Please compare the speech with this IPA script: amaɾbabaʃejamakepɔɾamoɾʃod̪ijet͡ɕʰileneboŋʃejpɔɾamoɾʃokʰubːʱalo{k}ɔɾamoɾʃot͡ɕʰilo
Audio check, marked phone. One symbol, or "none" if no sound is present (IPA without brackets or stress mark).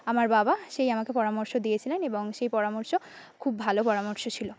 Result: p